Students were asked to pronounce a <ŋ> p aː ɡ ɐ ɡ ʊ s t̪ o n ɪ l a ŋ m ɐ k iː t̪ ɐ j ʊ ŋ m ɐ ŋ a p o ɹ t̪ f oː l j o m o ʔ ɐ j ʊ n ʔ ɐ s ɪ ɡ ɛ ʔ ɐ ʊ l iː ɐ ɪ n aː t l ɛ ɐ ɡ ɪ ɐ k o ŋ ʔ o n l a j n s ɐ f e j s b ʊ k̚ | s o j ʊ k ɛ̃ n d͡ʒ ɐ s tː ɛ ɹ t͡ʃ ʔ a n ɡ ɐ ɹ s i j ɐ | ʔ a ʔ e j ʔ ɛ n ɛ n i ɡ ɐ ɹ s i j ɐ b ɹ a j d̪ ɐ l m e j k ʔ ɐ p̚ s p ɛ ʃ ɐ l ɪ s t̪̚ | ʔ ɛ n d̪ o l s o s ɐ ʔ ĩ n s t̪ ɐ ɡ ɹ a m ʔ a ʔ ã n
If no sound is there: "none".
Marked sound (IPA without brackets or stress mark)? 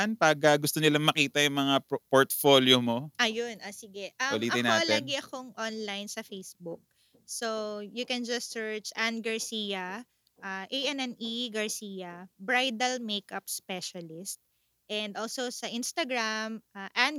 n